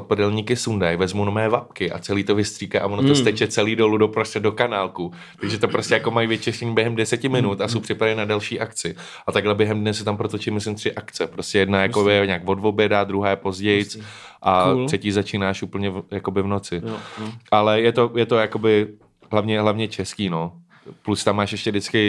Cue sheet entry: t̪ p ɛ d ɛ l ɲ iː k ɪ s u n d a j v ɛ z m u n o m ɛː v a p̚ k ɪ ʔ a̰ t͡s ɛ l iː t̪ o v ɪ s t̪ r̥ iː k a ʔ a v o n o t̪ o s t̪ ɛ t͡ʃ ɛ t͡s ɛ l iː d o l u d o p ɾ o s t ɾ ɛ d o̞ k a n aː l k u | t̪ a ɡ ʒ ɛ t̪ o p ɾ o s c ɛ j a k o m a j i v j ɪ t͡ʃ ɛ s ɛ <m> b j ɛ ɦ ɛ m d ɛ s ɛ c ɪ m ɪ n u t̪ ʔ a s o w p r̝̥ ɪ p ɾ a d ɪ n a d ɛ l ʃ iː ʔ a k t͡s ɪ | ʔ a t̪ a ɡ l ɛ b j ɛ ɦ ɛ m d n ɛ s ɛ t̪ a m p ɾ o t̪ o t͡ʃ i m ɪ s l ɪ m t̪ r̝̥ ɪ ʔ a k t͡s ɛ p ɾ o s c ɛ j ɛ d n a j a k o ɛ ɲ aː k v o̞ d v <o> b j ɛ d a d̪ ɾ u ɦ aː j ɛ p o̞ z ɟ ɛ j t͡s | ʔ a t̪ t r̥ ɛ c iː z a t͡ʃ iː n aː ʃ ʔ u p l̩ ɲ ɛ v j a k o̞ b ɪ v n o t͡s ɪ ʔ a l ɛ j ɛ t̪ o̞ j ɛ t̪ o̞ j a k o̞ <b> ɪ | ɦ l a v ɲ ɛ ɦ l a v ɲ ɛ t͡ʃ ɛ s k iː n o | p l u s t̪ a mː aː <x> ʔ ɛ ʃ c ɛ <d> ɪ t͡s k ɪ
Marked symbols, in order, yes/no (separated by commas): no, yes, yes, no, yes